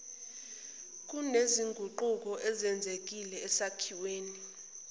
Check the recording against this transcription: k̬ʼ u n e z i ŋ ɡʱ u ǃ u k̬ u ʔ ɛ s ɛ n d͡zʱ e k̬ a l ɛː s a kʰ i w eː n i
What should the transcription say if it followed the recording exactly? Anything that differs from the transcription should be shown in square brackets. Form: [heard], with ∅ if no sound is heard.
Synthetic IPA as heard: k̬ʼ u n e z i ŋ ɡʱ u ǃ u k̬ [ɔ] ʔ ɛ [z] ɛ n d͡zʱ e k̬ [i] l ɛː s a kʰ i w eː n i